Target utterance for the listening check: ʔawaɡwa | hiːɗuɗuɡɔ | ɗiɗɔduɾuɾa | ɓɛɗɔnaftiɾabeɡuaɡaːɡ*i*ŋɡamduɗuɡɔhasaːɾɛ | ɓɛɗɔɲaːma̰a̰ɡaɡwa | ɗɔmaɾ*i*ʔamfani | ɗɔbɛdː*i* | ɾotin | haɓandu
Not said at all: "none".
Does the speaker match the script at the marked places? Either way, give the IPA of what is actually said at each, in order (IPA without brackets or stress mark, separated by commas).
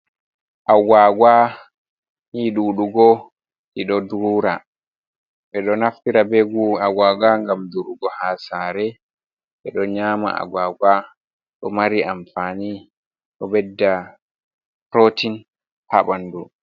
a, i, a